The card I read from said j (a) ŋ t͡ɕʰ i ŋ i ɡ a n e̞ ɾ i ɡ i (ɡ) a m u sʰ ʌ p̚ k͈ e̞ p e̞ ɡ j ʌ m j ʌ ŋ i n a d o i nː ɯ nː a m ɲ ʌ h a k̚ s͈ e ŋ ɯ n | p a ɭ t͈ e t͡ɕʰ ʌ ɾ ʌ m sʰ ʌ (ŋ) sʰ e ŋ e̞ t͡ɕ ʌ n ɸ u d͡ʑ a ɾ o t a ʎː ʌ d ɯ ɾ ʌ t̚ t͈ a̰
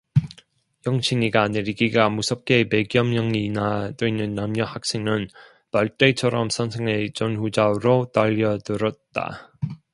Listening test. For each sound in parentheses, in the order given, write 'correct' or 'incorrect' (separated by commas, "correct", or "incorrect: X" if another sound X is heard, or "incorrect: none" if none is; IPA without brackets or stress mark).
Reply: incorrect: ʌ, correct, incorrect: n